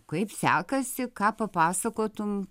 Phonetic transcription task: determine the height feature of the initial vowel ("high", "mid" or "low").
low